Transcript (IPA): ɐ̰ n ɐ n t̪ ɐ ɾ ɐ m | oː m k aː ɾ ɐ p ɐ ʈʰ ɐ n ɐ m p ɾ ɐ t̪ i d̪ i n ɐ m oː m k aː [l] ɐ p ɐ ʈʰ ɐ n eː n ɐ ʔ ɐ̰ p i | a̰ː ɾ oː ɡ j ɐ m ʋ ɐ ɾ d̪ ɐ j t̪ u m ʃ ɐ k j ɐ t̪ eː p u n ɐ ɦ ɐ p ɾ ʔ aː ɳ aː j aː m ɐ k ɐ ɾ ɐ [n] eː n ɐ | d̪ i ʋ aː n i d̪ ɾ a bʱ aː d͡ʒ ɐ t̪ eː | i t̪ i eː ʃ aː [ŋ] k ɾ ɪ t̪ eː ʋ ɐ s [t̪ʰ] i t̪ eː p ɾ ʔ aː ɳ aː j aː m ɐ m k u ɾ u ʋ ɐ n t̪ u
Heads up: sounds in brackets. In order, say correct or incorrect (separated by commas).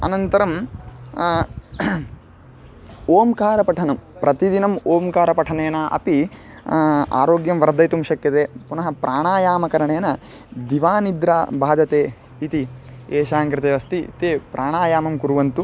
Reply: incorrect, incorrect, correct, incorrect